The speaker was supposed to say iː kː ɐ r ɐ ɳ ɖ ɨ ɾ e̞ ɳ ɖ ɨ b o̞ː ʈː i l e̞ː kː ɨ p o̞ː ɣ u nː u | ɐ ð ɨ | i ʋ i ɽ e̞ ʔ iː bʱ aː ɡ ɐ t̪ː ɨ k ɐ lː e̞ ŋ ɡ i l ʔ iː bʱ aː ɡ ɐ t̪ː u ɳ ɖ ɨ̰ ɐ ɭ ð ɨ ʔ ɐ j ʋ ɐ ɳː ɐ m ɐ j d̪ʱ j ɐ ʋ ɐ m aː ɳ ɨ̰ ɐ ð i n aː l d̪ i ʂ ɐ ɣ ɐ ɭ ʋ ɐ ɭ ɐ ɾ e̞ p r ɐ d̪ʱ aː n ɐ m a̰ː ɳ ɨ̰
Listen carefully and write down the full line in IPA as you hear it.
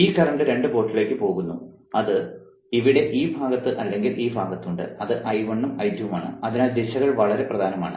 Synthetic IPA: iː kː ɐ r ɐ ɳ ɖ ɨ ɾ e̞ ɳ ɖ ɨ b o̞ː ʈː i l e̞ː kː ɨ p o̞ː ɣ u nː u | ɐ ð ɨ | i ʋ i ɽ e̞ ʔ iː bʱ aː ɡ ɐ t̪ː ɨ ʔ ɐ lː e̞ ŋ ɡ i l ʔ iː bʱ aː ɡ ɐ t̪ː u ɳ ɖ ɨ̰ ɐ ð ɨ ʔ ɐ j ʋ ɐ ɳː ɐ m ɐ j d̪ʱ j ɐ ʋ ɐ m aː ɳ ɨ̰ ɐ ð i n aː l d̪ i ɕ ɐ ɣ ɐ ɭ ʋ ɐ ɭ ɐ ɾ e̞ p r ɐ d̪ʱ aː n ɐ m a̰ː ɳ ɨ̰